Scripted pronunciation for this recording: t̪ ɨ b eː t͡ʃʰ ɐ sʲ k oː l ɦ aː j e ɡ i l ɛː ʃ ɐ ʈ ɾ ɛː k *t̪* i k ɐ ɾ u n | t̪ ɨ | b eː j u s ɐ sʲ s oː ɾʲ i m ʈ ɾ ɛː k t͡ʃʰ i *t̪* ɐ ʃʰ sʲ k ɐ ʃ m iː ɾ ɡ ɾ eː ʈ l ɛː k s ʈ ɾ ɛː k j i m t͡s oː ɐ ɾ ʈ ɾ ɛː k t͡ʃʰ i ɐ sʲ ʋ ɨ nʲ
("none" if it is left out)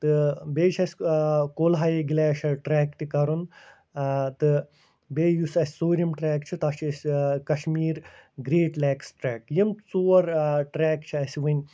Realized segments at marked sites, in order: t̪, t̪

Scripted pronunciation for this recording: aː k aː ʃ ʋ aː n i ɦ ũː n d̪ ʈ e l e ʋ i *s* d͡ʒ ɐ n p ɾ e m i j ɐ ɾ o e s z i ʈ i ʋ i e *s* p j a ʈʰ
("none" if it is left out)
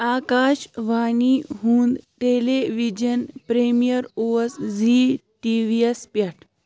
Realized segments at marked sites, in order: none, s

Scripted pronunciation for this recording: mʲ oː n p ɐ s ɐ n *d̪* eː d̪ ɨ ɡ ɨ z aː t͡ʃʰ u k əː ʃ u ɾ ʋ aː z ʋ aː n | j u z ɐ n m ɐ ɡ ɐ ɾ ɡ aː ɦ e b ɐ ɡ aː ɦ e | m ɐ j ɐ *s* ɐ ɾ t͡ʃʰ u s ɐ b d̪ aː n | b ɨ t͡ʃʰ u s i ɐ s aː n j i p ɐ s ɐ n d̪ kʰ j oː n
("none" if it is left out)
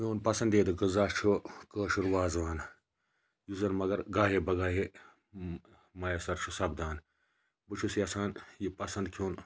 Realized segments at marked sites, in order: d̪, s

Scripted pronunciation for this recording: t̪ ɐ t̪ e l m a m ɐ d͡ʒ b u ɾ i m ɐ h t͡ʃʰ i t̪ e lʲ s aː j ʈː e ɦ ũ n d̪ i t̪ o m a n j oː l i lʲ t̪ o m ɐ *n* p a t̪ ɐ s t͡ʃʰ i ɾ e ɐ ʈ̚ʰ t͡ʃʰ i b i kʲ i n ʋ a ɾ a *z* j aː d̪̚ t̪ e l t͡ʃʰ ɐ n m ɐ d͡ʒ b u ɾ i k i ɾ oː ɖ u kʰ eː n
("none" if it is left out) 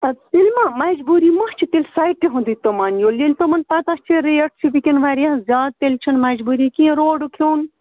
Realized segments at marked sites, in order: n, z

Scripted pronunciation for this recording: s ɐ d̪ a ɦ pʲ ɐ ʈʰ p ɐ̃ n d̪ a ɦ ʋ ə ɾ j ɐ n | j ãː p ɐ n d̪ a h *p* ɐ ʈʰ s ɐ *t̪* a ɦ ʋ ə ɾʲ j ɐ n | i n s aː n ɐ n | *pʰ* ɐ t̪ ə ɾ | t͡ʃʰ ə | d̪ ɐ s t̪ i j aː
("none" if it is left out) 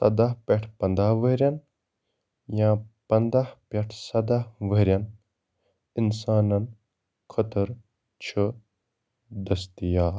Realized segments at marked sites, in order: p, d̪, kʰ

